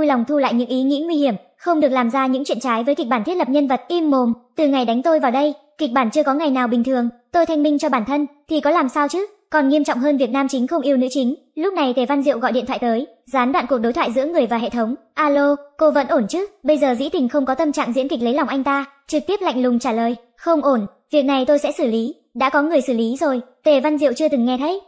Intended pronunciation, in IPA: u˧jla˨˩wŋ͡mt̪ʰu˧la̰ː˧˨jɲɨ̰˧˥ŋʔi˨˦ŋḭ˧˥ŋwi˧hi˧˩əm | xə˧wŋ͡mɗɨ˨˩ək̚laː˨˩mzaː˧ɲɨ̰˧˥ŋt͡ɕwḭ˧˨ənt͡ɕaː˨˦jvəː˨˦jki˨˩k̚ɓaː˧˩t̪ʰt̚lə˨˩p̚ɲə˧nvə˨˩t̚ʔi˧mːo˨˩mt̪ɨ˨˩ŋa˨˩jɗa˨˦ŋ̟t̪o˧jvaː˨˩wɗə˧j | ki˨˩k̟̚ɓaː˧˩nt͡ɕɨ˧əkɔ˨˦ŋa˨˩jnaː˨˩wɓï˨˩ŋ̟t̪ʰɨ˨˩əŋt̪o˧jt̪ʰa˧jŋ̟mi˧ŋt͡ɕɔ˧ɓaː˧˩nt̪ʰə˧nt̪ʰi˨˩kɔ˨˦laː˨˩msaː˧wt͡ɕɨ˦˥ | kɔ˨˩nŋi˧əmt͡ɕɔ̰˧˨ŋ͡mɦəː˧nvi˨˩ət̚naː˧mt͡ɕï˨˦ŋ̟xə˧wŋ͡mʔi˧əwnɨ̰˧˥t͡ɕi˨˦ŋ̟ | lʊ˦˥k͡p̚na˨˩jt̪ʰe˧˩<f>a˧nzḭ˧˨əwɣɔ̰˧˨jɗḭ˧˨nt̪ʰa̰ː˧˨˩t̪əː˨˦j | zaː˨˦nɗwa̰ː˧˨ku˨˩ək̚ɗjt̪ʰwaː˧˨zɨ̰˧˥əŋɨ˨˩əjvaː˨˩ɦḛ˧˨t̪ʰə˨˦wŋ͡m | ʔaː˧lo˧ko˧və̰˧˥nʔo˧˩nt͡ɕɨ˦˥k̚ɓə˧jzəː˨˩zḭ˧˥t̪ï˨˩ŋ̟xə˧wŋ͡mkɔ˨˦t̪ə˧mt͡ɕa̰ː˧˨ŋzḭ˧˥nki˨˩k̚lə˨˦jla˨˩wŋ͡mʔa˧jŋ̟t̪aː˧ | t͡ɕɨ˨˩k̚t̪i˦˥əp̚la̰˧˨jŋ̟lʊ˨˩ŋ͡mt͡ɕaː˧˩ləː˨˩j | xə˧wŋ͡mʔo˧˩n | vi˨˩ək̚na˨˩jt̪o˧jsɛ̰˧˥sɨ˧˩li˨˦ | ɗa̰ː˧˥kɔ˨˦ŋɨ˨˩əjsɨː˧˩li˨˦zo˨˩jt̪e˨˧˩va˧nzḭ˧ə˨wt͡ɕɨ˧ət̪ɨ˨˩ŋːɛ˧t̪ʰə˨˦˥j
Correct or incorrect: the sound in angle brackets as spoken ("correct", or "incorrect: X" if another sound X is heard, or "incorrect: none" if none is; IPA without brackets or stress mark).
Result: incorrect: v